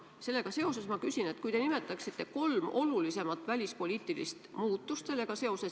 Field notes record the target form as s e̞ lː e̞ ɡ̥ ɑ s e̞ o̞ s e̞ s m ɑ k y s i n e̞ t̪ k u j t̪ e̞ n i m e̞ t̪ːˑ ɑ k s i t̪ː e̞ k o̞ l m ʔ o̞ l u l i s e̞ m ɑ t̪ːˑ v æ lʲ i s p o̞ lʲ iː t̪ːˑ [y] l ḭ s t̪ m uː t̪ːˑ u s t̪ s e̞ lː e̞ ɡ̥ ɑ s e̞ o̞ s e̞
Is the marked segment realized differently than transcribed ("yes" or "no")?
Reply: yes